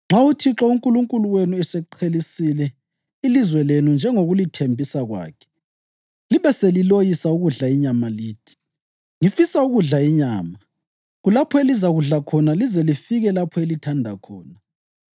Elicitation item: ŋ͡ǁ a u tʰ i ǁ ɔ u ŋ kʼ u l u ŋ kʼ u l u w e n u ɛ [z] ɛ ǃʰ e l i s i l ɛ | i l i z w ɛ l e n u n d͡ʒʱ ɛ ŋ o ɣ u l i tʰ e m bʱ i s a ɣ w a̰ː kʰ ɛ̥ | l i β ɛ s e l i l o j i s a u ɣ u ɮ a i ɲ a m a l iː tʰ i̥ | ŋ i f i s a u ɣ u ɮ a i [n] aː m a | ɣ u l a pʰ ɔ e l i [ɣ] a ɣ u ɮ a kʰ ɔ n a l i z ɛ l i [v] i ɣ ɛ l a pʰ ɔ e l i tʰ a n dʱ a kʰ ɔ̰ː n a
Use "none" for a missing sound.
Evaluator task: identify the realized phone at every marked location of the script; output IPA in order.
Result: s, ɲ, z, f

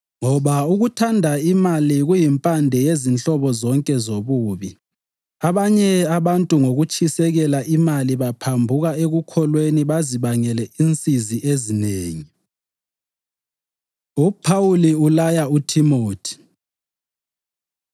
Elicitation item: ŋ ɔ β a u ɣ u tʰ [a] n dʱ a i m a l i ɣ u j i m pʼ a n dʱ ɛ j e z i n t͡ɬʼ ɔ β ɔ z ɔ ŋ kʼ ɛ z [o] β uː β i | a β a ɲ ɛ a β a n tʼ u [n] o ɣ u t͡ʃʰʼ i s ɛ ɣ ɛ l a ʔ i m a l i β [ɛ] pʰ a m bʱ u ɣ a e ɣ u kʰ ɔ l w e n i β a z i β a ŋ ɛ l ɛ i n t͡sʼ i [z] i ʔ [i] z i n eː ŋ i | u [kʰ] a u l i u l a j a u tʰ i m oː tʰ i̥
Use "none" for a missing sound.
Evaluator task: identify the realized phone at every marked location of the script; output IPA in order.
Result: a, o, ŋ, a, z, e, pʰ

